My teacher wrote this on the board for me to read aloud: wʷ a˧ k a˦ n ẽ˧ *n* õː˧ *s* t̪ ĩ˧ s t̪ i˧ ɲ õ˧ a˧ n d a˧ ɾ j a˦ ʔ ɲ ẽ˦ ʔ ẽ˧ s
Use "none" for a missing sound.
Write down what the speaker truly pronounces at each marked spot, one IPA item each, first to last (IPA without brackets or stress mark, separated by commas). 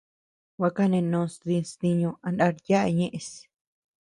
n, s